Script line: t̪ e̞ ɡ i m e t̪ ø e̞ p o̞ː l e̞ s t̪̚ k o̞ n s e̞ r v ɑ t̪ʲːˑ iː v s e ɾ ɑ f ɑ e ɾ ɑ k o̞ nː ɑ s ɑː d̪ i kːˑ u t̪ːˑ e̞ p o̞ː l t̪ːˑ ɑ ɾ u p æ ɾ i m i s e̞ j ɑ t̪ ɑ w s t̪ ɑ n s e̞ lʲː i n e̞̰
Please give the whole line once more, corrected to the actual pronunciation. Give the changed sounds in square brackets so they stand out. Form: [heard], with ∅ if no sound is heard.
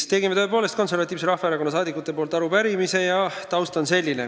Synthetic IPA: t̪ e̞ ɡ i m e t̪ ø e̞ p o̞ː l e̞ s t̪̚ k o̞ n s e̞ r v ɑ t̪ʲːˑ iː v s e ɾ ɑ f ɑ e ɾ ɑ k o̞ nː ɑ s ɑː d̪ i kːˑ u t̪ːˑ e̞ p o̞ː l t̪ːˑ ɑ ɾ u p æ ɾ i m i s e̞ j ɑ t̪ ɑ w s t̪ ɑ n s e̞ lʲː i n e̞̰